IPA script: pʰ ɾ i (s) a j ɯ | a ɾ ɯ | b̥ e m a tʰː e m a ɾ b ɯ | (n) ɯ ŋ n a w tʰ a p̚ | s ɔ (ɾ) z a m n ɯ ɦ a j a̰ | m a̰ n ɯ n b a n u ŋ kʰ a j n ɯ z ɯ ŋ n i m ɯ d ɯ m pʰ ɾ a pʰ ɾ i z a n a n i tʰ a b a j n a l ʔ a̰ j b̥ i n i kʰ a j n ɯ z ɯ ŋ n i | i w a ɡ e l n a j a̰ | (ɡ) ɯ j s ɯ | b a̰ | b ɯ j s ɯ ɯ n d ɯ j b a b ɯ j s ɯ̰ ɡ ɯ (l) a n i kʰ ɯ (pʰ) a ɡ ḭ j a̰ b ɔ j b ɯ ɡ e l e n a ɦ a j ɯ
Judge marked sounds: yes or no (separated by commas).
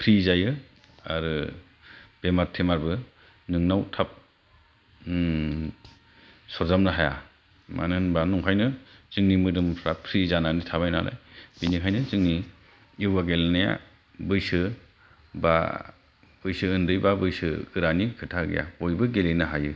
no, yes, yes, no, no, no